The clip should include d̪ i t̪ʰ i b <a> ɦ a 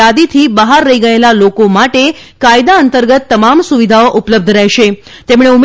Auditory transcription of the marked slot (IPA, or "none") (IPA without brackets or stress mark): ə